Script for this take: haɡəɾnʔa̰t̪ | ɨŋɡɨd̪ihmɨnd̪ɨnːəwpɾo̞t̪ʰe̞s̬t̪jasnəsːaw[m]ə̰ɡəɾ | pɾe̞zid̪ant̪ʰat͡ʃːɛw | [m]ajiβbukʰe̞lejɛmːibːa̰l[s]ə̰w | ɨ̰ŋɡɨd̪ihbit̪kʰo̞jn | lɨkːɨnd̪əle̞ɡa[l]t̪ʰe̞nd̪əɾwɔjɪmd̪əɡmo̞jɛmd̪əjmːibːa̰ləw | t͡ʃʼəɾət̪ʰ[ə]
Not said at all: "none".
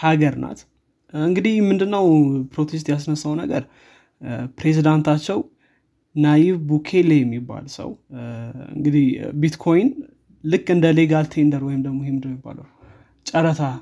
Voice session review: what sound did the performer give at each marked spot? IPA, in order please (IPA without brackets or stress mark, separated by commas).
n, n, s, l, a